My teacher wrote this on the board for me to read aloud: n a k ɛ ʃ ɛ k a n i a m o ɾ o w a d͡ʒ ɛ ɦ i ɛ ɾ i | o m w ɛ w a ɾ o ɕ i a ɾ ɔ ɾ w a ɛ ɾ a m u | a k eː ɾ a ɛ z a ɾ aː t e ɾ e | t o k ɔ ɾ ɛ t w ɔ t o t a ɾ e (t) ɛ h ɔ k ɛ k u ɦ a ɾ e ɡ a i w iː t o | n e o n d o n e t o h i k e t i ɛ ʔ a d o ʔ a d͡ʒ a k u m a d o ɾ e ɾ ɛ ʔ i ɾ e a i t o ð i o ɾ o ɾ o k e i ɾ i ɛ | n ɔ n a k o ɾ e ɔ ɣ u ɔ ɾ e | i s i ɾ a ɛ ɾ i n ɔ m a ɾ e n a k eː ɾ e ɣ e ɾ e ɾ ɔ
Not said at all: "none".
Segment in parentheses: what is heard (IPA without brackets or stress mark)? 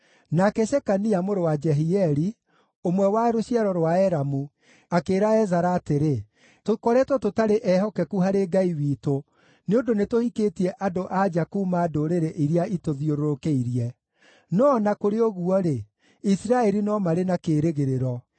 ʔ